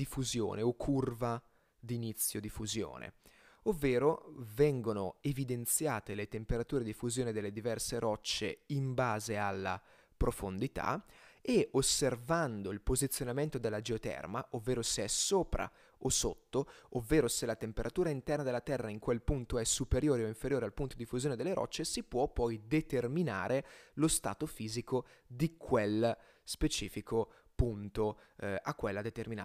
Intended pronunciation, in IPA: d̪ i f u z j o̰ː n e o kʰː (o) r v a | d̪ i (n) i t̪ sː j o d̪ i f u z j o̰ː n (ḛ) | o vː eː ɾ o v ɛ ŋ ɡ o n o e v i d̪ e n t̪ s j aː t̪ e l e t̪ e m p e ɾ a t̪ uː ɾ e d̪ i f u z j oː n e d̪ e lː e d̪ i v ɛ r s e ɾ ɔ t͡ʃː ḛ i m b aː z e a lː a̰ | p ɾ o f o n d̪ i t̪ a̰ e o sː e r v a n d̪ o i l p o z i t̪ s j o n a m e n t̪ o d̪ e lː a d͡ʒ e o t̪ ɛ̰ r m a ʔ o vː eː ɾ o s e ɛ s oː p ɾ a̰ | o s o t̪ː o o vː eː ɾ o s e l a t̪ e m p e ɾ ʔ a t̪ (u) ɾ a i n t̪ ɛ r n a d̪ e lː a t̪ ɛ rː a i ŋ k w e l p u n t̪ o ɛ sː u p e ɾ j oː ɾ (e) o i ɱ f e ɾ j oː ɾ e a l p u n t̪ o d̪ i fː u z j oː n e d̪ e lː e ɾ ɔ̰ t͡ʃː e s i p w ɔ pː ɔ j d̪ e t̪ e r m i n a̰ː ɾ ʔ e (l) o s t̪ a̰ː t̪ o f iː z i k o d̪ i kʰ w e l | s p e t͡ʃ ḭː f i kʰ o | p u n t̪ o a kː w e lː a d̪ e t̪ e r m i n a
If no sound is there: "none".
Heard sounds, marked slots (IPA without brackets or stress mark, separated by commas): u, n, ḛ, uː, e, l